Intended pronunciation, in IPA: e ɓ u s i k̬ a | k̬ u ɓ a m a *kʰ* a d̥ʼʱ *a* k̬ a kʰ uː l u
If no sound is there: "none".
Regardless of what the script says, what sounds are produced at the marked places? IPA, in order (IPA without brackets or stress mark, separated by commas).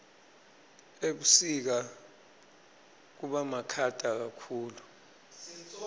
kʰ, a